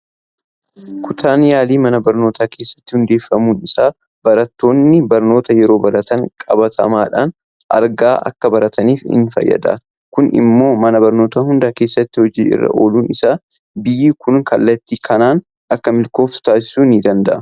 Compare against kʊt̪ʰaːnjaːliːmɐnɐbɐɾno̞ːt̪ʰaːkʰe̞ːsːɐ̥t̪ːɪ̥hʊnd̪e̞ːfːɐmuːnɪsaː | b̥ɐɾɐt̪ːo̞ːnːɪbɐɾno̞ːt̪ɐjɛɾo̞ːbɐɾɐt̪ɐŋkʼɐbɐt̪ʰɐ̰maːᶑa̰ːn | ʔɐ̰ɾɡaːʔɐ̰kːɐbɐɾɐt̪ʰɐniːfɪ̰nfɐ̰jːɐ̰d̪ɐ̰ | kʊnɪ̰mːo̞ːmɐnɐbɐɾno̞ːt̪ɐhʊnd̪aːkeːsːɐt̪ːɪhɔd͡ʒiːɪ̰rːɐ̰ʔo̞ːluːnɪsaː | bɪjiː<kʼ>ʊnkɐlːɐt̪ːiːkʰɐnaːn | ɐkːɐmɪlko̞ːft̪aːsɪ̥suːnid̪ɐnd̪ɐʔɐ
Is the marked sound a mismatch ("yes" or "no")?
yes